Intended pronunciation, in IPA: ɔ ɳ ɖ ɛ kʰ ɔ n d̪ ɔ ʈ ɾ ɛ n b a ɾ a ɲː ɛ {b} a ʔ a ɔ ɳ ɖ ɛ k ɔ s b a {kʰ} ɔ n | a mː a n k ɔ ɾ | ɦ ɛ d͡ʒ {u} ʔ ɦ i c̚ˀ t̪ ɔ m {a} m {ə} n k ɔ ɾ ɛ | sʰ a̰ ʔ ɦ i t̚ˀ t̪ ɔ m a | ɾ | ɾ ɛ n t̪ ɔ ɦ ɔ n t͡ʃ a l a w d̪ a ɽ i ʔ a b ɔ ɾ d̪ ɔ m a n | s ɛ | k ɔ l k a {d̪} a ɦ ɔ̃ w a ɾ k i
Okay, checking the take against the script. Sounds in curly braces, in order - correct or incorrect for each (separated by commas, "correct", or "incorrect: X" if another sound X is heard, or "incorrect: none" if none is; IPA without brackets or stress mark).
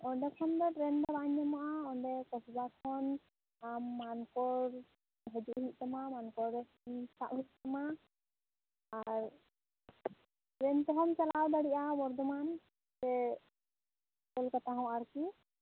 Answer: incorrect: m, correct, correct, correct, incorrect: a, incorrect: t̪